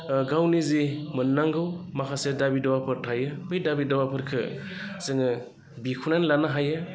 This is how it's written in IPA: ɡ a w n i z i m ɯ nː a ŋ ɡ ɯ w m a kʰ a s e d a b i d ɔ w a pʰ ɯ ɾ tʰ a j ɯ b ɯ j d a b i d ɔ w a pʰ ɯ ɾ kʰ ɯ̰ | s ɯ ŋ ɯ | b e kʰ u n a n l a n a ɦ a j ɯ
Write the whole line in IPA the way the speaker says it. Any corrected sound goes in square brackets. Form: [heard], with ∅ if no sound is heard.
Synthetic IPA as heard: ɡ a w n i z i m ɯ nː a ŋ ɡ ɯ w m a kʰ a s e d a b i d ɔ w a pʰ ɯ ɾ tʰ a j ɯ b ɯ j d a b i d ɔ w a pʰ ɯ ɾ kʰ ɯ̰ | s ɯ ŋ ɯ | b [i] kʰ u n a n l a n a ɦ a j ɯ